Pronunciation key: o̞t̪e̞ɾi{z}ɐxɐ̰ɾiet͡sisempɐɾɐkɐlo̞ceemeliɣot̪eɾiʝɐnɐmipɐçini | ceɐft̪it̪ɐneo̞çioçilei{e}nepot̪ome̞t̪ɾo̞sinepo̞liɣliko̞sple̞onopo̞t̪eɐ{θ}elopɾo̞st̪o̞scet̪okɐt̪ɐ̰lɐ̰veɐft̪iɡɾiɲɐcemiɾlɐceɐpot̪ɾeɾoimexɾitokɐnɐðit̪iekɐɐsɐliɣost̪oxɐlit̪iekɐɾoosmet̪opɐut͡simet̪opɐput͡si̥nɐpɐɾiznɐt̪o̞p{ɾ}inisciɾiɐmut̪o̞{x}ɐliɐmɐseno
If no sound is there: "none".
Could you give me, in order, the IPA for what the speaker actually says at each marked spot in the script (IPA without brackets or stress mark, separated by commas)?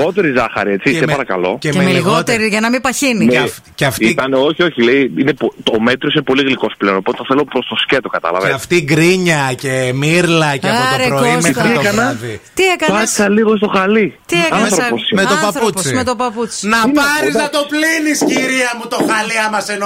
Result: z, i, θ, l, x